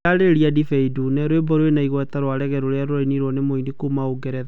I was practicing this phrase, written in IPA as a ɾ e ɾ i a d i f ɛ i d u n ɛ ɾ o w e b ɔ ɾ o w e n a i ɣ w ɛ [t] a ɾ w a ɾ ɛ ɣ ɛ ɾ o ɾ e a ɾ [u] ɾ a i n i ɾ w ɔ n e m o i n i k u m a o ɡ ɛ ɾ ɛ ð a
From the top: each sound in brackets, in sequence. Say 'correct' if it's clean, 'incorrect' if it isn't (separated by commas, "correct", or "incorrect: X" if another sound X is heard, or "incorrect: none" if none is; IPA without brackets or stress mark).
correct, incorrect: o